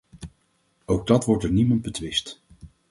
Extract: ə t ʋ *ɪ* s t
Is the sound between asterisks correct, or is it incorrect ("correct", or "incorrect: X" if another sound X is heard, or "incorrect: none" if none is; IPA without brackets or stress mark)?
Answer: correct